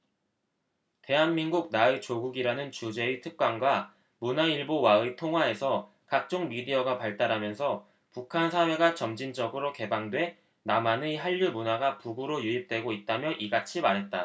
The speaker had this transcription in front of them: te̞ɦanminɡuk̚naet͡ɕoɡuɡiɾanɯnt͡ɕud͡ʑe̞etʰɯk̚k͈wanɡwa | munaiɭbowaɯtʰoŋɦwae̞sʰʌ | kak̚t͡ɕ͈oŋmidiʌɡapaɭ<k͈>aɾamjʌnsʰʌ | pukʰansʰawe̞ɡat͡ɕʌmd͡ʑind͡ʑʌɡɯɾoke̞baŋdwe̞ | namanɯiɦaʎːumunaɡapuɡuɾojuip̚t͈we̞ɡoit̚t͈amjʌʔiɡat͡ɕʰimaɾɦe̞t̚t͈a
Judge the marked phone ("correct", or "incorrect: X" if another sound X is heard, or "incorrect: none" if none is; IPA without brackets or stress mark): incorrect: t͈